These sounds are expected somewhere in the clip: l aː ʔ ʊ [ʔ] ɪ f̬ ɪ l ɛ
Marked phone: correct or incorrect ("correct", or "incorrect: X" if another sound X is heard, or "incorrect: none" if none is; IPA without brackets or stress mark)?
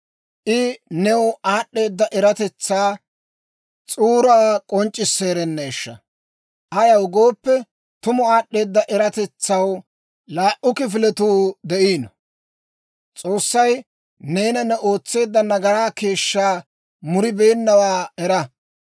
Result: incorrect: k